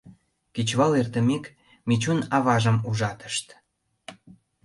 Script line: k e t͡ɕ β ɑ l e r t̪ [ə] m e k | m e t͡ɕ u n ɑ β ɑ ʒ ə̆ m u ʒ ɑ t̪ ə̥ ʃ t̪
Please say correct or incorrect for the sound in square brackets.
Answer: correct